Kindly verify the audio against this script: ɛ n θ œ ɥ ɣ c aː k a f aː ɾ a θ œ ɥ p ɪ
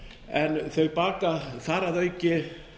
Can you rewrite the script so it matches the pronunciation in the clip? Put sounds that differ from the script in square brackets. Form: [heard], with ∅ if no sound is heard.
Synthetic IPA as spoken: ɛ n θ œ ɥ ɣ [p] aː k a [θ] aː ɾ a [ð] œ ɥ [c] ɪ